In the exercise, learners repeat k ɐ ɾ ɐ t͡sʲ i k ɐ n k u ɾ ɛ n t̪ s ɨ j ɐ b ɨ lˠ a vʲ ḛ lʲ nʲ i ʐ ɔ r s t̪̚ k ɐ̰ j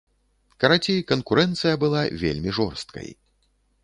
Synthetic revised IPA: k ɐ ɾ a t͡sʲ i k ɐ n k u ɾ ɛ n t̪ s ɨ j ɐ b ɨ lˠ a vʲ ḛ lʲ mʲ i ʐ ɔ r s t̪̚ k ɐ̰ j